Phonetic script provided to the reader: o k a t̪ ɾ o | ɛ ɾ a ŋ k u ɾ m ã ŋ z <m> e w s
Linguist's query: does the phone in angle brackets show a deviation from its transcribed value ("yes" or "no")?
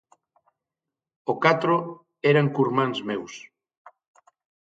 no